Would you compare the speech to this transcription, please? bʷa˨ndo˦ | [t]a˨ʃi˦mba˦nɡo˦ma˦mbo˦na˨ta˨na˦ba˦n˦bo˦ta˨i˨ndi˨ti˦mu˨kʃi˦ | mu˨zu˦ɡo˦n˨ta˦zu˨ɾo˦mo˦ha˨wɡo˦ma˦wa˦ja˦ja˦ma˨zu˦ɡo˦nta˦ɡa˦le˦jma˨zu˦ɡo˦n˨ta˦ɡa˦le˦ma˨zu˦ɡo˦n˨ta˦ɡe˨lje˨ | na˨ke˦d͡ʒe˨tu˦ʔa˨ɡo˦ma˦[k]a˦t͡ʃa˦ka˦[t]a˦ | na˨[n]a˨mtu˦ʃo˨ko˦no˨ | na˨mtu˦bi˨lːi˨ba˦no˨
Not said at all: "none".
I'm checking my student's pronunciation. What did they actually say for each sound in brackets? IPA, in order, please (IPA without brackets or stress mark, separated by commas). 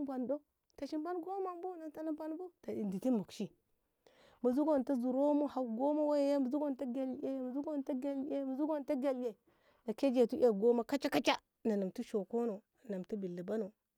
t, k, t͡ʃ, n